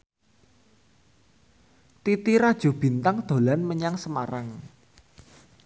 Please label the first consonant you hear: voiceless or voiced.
voiceless